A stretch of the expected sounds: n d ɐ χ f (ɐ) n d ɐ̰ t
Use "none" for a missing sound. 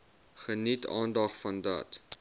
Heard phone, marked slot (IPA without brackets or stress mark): ɐ